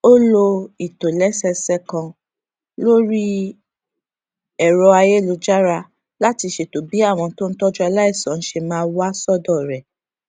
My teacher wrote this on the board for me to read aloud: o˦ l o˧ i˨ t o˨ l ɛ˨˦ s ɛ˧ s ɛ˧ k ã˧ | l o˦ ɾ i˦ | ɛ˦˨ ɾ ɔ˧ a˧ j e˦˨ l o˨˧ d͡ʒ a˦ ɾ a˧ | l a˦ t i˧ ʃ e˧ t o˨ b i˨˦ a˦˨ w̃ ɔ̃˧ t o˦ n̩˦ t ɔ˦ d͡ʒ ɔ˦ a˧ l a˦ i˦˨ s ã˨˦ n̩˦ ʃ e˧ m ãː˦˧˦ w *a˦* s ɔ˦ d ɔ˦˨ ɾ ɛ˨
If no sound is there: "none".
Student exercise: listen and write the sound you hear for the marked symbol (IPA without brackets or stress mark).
a˦